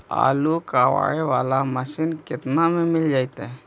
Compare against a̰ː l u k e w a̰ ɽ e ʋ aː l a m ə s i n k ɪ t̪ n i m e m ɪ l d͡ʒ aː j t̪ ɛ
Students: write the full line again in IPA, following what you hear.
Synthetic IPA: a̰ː l u k a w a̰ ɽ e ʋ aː l a m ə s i n k ɪ t̪ n a m e m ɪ l d͡ʒ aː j t̪ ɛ